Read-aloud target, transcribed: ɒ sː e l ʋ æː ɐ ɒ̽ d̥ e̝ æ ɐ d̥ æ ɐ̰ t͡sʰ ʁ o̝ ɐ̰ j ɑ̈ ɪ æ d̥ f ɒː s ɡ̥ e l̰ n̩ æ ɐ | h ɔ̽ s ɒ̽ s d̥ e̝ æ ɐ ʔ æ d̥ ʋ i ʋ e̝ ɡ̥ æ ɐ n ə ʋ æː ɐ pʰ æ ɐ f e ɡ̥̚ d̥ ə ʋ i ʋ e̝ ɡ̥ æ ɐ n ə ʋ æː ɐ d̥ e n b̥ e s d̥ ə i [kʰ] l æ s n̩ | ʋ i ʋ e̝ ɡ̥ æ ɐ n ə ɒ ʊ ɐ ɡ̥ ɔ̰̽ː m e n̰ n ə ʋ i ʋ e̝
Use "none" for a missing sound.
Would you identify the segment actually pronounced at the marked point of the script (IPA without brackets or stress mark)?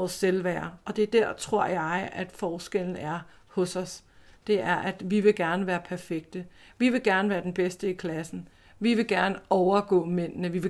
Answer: kʰ